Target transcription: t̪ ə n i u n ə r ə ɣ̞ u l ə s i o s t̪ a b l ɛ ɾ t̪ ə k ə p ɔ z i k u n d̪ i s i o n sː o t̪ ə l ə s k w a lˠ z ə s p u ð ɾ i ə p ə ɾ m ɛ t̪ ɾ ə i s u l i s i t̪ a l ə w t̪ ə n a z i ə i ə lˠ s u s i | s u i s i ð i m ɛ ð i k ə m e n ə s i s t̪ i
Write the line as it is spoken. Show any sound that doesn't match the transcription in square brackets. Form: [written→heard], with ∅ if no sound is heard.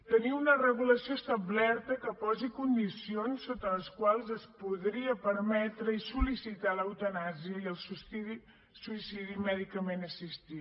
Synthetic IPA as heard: t̪ ə n i u n ə r ə ɣ̞ u l ə s i o s t̪ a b l ɛ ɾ t̪ ə k ə p ɔ z i k u n d̪ i s i o n sː o t̪ ə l ə s k w a lˠ z ə s p u ð ɾ i ə p ə ɾ m ɛ t̪ ɾ ə i s u l i s i t̪ a l ə w t̪ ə n a z i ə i ə lˠ s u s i | s u i s i ð i m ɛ ð i k ə m e n ə s i s t̪ i